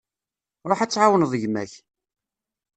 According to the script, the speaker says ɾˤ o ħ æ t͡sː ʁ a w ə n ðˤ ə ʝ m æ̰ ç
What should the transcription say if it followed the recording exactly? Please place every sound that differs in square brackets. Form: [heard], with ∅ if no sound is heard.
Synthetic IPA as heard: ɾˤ o ħ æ t͡sː [ʕ] a w ə n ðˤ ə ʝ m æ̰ ç